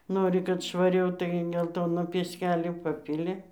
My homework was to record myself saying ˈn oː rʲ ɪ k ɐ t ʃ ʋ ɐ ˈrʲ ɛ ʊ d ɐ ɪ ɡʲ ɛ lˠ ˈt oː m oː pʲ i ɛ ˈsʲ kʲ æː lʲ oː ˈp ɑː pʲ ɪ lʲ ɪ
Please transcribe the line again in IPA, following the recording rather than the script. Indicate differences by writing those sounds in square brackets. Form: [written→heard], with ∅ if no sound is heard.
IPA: ˈn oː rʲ ɪ k ɐ t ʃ ʋ ɐ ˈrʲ ɛ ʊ [d→t] ɐ ɪ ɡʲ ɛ lˠ ˈt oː [m→n] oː pʲ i ɛ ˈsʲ kʲ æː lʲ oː ˈp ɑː pʲ ɪ lʲ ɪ